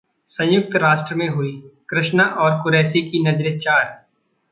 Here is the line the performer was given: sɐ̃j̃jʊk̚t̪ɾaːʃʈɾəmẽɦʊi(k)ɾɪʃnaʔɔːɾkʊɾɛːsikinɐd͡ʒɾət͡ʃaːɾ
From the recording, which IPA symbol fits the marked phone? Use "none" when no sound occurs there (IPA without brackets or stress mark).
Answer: k